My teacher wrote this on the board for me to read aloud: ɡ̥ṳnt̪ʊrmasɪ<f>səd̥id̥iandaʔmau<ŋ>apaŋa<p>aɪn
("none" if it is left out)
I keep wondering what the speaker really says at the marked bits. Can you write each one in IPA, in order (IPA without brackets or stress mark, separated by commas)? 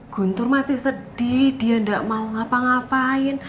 h, ŋ, p